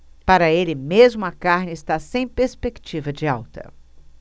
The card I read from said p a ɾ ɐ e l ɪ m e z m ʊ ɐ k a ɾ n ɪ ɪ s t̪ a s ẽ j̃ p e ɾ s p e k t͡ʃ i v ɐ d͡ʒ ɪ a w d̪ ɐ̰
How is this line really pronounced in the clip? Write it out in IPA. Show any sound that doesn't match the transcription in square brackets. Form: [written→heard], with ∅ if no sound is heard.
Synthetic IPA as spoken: p a ɾ ɐ e l ɪ m e z m ʊ ɐ k a ɾ n ɪ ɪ s t̪ a s ẽ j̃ p e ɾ s p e k t͡ʃ i v ɐ d͡ʒ ɪ a w [d̪→t̪] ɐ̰